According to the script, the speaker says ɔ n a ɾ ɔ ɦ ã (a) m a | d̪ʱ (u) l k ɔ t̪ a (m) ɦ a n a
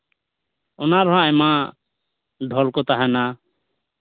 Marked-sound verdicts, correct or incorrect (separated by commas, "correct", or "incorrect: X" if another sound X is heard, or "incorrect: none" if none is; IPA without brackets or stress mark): incorrect: ɛ, incorrect: ɔ, incorrect: none